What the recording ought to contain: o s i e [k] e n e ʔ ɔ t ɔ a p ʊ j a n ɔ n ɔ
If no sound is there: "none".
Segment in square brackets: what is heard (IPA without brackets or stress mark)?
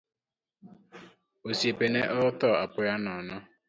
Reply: p